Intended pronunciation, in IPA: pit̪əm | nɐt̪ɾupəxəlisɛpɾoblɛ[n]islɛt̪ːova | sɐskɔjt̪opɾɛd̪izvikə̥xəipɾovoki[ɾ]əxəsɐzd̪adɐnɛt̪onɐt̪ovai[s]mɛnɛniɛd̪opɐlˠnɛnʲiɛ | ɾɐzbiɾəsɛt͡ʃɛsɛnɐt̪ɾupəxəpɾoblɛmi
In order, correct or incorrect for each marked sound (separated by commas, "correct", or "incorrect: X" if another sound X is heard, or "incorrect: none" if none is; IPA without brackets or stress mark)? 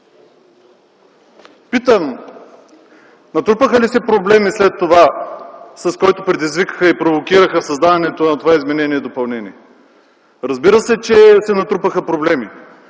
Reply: incorrect: m, correct, incorrect: z